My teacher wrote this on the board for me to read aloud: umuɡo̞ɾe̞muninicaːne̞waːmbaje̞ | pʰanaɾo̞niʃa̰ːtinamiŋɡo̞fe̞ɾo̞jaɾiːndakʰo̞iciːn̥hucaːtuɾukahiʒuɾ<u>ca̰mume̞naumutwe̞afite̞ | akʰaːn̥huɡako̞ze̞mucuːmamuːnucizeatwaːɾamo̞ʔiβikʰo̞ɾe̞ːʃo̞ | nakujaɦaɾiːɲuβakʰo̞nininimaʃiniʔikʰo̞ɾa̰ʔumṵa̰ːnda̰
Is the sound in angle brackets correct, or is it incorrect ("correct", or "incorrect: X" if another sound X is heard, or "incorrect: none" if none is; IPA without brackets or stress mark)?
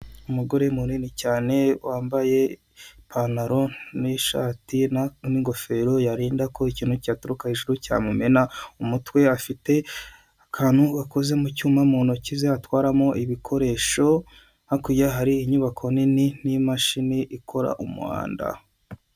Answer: correct